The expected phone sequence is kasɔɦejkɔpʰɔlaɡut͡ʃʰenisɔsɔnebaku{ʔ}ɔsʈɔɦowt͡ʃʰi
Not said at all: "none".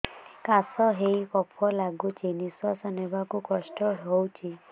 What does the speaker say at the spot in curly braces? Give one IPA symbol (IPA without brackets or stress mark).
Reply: k